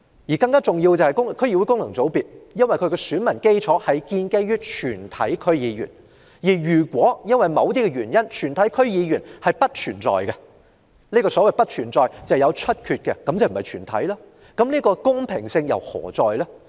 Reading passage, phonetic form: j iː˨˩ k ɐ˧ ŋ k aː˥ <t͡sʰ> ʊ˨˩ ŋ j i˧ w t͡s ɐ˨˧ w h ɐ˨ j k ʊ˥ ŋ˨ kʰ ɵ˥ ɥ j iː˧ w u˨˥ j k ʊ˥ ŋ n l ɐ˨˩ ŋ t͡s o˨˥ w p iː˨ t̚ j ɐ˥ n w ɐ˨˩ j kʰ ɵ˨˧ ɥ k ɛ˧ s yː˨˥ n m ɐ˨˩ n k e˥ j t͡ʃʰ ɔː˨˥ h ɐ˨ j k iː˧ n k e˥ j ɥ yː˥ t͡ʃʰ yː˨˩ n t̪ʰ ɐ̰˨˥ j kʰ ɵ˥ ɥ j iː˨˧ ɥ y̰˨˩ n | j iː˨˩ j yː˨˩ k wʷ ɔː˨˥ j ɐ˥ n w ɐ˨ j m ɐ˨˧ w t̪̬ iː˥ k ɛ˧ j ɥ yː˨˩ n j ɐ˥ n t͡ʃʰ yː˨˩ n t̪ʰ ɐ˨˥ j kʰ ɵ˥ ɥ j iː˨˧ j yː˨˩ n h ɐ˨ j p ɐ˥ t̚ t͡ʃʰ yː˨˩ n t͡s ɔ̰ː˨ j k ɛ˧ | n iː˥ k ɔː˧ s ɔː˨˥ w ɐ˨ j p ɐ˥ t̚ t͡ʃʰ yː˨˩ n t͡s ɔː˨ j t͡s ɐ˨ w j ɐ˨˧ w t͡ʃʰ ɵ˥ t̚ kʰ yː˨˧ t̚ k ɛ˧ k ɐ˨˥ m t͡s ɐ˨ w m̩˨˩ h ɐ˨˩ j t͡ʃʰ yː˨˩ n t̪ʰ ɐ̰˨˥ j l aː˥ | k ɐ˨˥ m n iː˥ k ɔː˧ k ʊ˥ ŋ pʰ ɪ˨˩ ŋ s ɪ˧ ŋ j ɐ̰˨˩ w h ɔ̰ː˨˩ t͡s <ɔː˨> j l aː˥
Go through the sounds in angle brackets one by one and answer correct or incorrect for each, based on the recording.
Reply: incorrect, correct

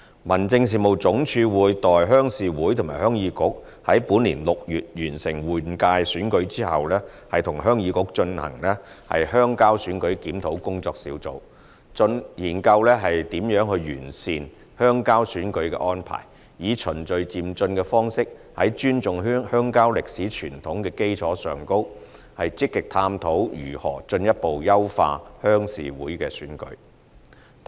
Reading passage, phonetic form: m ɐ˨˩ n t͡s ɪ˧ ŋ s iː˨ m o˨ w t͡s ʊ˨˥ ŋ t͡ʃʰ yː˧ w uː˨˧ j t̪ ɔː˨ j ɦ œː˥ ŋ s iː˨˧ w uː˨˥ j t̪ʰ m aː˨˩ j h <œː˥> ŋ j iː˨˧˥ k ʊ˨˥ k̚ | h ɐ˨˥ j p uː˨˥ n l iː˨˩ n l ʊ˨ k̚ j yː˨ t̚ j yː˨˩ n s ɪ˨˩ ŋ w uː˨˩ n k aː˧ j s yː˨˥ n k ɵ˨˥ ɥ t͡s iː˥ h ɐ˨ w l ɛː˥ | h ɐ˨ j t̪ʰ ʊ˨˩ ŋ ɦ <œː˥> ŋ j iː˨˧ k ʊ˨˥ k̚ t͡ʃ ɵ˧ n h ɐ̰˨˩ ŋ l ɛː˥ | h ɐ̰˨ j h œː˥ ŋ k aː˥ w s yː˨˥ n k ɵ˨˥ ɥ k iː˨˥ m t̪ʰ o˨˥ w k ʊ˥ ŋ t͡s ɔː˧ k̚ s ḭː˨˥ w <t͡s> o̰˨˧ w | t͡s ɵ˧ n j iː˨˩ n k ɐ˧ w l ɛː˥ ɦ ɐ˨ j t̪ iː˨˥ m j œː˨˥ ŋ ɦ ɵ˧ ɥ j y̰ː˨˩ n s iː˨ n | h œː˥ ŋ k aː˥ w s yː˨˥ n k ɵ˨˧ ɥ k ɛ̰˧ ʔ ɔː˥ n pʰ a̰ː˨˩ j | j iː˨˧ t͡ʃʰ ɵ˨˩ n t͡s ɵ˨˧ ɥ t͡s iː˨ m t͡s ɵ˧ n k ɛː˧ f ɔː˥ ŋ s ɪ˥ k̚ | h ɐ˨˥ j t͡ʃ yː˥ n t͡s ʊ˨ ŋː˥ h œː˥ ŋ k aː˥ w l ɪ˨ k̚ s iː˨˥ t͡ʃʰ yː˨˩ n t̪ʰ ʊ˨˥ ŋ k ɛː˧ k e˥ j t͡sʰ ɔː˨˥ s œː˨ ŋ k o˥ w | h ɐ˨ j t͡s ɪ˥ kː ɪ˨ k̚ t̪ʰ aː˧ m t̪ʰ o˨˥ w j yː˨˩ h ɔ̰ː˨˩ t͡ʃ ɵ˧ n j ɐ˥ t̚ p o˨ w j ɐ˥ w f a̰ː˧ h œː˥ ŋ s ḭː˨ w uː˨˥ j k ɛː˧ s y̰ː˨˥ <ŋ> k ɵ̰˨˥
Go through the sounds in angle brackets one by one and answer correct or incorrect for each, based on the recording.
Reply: correct, correct, correct, incorrect

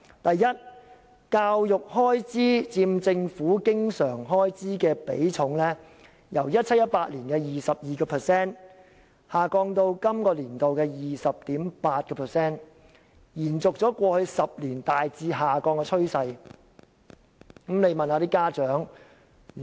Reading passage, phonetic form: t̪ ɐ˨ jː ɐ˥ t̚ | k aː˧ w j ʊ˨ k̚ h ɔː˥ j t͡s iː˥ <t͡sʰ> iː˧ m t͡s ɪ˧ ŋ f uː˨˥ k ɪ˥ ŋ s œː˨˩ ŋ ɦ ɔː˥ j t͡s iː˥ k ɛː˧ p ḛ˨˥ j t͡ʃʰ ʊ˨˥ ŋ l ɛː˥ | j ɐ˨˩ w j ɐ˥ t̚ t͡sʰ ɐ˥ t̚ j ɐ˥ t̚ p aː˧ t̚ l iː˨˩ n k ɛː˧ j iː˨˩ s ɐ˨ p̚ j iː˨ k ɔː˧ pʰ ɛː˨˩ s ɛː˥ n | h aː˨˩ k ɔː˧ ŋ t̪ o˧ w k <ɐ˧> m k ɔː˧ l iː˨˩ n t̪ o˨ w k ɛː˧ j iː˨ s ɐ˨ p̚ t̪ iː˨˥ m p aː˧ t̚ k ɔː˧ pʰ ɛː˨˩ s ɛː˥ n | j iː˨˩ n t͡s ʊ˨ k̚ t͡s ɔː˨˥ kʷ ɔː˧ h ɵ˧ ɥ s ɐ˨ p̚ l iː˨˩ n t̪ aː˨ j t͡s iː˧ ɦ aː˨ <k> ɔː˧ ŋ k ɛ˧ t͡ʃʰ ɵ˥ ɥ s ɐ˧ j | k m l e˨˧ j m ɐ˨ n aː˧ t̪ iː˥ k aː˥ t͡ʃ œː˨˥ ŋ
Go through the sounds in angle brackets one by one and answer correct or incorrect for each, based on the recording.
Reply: incorrect, incorrect, correct

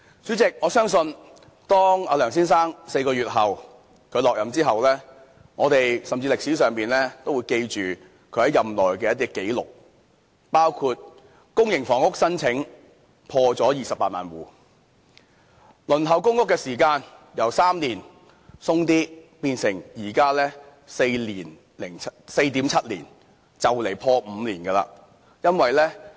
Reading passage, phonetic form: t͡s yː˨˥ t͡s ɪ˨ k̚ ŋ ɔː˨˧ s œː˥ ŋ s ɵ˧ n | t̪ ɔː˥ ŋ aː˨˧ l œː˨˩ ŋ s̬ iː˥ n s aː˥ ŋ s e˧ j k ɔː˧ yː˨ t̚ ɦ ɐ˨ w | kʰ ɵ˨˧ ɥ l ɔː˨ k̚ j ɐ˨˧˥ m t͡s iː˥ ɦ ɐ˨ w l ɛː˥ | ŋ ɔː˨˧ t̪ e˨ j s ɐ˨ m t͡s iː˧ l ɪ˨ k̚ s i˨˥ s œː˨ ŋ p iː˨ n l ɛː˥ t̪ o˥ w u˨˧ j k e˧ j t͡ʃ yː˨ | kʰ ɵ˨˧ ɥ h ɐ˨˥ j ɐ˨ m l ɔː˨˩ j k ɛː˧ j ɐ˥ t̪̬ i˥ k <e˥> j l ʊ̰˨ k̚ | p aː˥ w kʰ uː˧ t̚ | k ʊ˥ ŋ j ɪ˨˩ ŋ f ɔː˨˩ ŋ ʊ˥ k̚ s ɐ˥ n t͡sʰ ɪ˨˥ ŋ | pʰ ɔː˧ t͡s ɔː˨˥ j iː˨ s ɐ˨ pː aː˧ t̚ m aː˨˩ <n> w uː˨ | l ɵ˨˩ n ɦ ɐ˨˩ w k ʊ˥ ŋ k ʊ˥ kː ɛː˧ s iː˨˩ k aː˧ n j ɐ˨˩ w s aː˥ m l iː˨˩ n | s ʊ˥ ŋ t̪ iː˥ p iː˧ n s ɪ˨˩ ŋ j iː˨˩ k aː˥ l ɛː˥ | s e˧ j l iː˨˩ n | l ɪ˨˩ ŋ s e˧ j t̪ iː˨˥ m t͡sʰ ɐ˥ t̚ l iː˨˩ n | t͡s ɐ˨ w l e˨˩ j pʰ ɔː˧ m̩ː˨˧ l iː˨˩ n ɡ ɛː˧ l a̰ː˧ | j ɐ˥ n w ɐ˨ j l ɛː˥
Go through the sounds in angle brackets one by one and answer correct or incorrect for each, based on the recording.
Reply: incorrect, correct

